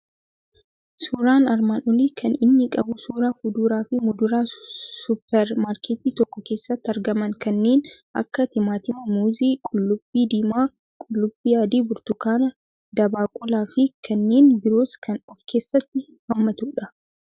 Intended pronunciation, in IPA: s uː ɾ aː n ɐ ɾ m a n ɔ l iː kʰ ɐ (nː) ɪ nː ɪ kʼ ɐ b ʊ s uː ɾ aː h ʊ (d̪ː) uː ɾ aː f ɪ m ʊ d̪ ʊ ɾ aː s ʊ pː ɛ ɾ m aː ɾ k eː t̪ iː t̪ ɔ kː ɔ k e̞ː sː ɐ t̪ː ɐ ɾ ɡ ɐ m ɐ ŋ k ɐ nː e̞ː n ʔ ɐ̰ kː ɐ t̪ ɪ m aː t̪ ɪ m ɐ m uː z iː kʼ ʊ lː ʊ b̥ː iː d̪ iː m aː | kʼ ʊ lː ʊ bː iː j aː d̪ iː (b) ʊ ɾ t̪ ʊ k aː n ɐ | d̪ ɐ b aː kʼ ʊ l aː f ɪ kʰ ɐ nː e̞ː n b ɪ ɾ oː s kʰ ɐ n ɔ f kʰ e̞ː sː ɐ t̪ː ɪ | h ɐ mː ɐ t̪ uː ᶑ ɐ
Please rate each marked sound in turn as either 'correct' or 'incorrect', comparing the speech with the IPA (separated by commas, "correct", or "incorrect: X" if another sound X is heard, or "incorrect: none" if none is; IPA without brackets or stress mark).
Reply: incorrect: n, incorrect: d̪, correct